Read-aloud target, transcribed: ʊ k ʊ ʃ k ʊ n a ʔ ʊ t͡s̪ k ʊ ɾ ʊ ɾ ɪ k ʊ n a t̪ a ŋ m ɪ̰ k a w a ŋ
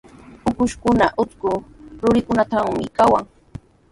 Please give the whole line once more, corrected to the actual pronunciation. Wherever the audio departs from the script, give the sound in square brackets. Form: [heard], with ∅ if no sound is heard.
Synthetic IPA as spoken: ʊ k ʊ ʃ k ʊ n a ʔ ʊ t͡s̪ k ʊ ɾ ʊ ɾ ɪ k ʊ n a t̪ a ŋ m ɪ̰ k a w a ŋ